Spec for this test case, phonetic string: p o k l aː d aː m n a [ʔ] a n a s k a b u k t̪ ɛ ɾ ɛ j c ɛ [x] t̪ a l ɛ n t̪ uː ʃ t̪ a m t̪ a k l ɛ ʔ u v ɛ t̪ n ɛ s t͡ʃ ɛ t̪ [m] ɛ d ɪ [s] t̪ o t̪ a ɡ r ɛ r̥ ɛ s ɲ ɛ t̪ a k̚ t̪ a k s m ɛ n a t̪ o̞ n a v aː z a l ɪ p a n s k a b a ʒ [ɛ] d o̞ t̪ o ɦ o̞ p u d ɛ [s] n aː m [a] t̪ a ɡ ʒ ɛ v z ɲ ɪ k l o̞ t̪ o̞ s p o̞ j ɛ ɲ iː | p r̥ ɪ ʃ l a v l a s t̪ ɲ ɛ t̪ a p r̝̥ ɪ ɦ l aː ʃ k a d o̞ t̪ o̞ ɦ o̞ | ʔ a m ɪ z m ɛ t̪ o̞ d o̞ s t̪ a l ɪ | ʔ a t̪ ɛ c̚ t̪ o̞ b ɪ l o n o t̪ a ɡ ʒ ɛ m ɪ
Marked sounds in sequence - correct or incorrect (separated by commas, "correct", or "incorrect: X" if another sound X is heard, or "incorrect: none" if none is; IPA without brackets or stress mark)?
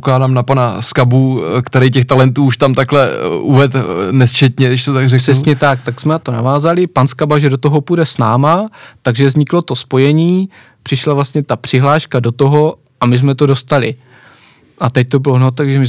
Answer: incorrect: p, correct, incorrect: ɲ, incorrect: ʃ, correct, correct, correct